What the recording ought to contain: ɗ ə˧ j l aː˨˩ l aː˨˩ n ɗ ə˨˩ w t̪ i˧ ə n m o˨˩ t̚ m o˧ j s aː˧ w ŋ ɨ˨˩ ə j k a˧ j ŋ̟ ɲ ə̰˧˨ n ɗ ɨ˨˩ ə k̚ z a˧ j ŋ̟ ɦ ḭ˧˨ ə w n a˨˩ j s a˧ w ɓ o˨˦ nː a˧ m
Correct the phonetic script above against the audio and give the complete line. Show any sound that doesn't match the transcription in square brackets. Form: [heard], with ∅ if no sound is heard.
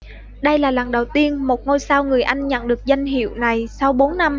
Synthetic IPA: ɗ ə˧ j l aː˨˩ l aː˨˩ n ɗ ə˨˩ w t̪ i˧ ə n m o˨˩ t̚ [ŋ] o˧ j s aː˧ w ŋ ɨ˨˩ ə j [ʔ] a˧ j ŋ̟ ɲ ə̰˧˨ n ɗ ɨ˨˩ ə k̚ z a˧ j ŋ̟ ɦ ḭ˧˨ ə w n a˨˩ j s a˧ w ɓ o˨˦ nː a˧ m

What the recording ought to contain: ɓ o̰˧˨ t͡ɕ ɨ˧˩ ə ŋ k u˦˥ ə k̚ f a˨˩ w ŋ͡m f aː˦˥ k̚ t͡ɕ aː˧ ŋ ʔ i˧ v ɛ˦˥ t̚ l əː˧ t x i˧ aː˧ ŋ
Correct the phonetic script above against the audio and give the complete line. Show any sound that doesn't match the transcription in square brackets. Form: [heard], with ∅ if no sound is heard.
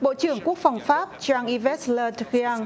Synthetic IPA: ɓ o̰˧˨ t͡ɕ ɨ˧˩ ə ŋ k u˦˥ ə k̚ f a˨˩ w ŋ͡m f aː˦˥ [p̚] t͡ɕ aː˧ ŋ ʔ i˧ v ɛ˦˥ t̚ l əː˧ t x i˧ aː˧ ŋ

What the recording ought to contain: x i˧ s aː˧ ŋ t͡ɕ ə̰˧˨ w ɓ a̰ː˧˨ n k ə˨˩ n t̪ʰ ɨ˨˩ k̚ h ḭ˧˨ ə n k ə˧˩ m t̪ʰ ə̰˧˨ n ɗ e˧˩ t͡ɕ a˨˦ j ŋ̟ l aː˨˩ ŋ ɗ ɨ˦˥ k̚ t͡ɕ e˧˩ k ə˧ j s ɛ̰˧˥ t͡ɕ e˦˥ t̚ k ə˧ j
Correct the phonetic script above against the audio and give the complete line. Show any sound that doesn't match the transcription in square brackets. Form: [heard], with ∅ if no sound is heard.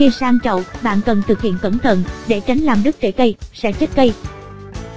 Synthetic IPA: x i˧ s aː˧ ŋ t͡ɕ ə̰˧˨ w ɓ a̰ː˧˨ n k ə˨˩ n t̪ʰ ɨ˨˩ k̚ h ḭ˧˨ ə n k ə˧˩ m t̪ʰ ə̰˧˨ n ɗ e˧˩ t͡ɕ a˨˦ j ŋ̟ l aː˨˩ [m] ɗ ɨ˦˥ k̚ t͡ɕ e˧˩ k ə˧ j s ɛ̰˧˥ t͡ɕ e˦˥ t̚ k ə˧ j

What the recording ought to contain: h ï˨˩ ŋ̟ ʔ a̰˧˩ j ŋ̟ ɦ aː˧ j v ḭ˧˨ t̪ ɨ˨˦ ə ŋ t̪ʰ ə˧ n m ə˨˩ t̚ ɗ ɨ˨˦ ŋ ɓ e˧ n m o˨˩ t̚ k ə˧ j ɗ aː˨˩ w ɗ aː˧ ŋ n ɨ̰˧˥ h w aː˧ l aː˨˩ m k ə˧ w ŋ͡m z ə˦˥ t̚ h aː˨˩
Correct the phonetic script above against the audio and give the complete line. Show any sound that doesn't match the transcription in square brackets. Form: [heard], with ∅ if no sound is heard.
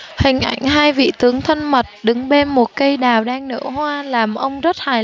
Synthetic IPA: h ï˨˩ ŋ̟ ʔ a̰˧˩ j ŋ̟ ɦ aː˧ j v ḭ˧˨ t̪ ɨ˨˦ ə ŋ t̪ʰ ə˧ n m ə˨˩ t̚ ɗ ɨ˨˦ ŋ ɓ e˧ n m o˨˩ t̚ k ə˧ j ɗ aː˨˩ w ɗ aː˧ ŋ n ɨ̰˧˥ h w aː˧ l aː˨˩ m [ʔ] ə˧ w ŋ͡m z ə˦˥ t̚ h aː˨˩

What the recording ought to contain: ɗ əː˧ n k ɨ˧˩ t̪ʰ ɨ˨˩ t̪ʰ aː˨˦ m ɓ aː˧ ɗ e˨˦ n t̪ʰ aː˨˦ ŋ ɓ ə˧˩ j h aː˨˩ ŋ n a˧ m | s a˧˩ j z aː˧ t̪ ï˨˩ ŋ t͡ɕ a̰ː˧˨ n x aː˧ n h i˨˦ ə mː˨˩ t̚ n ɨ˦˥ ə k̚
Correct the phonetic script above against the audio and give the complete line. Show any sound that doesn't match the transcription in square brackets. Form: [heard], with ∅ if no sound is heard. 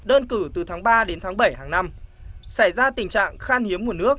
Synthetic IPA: ɗ əː˧ n k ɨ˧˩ [t̪] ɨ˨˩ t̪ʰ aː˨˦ [ŋ] ɓ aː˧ ɗ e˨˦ n t̪ʰ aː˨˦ ŋ ɓ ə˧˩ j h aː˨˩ ŋ n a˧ m | s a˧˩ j z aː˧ t̪ ï˨˩ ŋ t͡ɕ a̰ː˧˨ [ŋ] x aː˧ n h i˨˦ ə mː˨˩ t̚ n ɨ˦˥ ə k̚

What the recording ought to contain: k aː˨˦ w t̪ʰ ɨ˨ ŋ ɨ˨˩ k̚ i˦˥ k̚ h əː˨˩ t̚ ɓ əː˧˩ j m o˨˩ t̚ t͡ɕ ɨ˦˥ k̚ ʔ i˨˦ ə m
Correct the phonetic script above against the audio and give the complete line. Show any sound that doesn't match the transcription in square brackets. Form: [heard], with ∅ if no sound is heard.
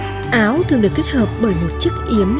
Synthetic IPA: [ʔ] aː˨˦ w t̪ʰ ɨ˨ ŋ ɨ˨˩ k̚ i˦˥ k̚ h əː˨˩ [p̚] ɓ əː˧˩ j m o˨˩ t̚ t͡ɕ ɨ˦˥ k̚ ʔ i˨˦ ə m

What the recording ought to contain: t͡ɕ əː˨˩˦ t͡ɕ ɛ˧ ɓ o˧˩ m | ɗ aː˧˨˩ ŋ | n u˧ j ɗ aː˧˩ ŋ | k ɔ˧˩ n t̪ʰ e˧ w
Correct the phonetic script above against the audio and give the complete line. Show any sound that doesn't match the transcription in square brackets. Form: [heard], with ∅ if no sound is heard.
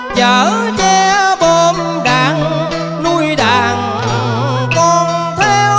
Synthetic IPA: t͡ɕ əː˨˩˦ t͡ɕ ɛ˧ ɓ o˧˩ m | ɗ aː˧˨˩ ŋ | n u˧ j ɗ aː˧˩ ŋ | k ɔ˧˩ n t̪ʰ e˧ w

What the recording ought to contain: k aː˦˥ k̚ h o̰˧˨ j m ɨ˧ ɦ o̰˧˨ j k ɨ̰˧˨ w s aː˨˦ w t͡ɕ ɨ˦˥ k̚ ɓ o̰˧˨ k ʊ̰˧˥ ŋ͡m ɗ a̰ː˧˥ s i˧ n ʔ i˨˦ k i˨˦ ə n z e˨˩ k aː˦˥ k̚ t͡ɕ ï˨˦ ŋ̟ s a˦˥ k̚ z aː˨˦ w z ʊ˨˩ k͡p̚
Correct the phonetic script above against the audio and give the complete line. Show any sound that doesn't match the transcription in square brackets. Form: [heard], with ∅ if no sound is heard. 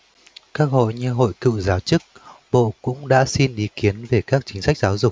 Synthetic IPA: k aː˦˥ k̚ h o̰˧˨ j [ɲ] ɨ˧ ɦ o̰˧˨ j k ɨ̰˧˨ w [z] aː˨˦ w t͡ɕ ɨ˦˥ k̚ ɓ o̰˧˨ k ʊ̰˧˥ ŋ͡m ɗ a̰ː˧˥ s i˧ n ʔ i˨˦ k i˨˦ ə n [v] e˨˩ k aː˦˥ k̚ t͡ɕ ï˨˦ ŋ̟ s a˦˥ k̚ z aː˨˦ w z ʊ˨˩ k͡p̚

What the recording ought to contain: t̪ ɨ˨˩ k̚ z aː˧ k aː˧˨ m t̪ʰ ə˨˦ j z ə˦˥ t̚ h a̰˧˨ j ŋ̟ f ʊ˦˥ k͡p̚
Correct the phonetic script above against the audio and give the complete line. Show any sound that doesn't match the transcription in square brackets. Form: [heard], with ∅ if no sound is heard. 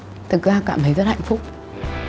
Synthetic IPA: t̪ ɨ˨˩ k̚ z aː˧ k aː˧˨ m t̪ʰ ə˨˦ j z ə˦˥ t̚ h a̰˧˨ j ŋ̟ f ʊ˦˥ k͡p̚

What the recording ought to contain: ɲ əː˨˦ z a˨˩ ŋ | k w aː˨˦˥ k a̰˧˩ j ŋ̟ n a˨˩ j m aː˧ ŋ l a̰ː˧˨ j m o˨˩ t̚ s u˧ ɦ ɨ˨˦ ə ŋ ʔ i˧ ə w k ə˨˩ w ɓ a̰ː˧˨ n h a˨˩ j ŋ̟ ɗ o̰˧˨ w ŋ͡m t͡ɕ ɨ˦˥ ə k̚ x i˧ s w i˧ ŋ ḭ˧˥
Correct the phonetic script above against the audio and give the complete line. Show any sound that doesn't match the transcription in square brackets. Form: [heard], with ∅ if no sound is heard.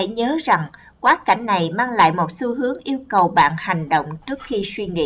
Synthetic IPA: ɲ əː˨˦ z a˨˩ ŋ | k w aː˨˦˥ k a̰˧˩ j ŋ̟ n a˨˩ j m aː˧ ŋ l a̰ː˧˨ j m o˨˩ t̚ s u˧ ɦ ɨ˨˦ ə ŋ ʔ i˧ ə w k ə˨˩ w ɓ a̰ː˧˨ n h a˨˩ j ŋ̟ ɗ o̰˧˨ w ŋ͡m t͡ɕ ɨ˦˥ ə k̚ x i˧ s w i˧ ŋ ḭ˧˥

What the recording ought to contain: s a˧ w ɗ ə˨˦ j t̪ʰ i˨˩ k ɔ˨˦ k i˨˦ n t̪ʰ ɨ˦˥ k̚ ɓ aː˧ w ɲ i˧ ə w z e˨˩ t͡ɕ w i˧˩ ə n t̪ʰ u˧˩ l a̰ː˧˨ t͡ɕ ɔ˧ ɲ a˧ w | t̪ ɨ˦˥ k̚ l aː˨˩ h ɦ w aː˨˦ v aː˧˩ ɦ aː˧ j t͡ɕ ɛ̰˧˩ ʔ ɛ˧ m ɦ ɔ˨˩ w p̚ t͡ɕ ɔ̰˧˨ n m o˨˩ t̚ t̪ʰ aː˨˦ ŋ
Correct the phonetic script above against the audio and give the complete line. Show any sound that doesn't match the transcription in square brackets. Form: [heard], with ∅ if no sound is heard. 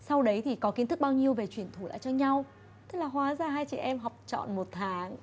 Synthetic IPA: s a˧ w ɗ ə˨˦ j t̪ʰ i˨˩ k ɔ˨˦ k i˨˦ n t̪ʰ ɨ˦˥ k̚ ɓ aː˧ w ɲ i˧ ə w [v] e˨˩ t͡ɕ w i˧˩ ə n t̪ʰ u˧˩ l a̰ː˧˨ t͡ɕ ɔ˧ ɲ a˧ w | t̪ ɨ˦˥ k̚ l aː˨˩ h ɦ w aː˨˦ [z] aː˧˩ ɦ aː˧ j t͡ɕ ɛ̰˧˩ ʔ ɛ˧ m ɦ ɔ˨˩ w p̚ t͡ɕ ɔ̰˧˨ n m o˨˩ t̚ t̪ʰ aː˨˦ ŋ

